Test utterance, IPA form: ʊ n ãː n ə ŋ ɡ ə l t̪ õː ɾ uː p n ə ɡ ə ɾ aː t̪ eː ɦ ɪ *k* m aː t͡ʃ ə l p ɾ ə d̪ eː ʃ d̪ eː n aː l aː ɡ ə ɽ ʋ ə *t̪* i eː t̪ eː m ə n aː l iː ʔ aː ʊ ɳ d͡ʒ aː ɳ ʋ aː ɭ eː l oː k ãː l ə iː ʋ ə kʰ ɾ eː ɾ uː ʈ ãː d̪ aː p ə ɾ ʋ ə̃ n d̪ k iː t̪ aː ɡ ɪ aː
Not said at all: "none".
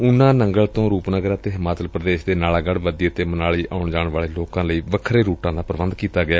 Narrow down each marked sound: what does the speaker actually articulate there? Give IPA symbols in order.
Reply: none, d̪

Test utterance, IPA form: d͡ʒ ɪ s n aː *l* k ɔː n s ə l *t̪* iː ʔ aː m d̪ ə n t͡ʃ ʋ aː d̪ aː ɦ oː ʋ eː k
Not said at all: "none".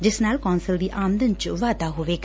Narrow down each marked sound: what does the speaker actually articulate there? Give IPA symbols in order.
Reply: l, d̪

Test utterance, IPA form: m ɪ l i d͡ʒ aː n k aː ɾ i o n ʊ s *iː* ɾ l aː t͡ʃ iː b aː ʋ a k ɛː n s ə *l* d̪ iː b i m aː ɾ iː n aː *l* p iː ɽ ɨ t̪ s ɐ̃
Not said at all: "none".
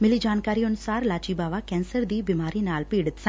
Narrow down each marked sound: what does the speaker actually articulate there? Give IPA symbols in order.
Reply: aː, ɾ, l

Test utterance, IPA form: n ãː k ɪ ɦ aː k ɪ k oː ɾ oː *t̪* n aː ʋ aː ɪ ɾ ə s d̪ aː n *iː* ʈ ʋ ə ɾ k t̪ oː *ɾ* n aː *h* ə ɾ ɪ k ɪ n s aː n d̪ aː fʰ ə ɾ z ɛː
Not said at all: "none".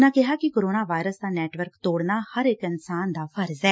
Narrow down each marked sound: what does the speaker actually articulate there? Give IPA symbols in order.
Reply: none, ɛː, ɽ, h

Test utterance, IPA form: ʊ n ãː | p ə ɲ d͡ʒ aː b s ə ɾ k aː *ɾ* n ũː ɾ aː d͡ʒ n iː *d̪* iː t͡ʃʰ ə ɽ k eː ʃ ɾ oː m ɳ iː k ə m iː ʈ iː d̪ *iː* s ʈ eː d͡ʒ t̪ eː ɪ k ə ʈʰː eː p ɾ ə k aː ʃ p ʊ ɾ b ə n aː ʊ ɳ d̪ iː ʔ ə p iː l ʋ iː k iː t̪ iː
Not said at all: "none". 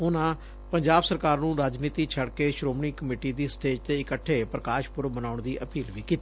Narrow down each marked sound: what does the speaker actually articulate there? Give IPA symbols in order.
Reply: ɾ, t̪, iː

